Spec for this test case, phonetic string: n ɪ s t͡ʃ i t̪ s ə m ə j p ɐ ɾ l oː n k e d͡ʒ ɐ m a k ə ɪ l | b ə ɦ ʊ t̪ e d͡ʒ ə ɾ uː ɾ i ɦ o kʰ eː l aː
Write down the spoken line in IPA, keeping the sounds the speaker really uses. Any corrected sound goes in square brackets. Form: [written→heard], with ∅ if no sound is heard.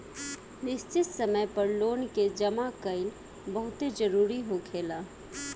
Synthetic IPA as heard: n ɪ s t͡ʃ [i→ɪ] t̪ s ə m ə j p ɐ ɾ l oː n k e d͡ʒ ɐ m a k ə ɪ l | b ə ɦ ʊ t̪ e d͡ʒ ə ɾ uː ɾ i ɦ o kʰ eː l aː